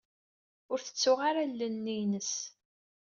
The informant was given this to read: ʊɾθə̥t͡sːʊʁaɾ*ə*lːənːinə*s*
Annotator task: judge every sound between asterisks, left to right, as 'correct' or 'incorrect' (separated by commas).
incorrect, correct